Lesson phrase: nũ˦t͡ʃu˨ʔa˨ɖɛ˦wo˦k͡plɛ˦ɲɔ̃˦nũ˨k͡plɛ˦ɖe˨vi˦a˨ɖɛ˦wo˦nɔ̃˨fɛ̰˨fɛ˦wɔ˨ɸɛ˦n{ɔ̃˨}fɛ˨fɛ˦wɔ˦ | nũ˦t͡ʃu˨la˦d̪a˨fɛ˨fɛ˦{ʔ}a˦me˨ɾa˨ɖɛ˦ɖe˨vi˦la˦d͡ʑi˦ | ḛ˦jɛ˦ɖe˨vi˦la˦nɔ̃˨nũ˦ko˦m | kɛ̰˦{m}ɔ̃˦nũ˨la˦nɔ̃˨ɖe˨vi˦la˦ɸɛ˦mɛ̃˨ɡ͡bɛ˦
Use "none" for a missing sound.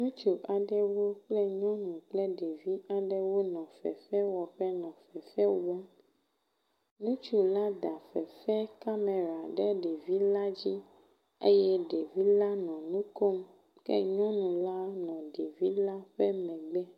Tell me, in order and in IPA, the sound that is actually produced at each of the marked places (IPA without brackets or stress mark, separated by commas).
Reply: ɔ̃˨, k, ɲ